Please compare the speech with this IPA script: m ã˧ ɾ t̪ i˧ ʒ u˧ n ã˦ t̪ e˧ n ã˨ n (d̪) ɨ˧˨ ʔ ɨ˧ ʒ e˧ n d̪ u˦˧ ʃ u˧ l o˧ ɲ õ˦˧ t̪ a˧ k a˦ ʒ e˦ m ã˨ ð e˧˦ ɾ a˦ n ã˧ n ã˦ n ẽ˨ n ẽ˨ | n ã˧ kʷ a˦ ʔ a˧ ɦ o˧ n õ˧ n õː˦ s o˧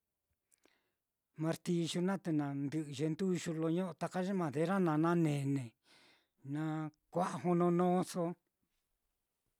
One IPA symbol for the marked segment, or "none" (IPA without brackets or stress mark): d̪